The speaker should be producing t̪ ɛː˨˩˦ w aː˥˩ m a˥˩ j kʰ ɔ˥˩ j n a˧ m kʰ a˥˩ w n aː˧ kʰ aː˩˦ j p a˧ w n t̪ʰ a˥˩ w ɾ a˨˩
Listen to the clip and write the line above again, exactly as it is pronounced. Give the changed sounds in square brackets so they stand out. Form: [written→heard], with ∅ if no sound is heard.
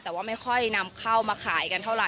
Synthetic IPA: t̪ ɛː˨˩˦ w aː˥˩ m a˥˩ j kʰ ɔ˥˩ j n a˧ m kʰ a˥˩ w [n→m] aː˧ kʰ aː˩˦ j [p→k] a˧ [w→∅] n t̪ʰ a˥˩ w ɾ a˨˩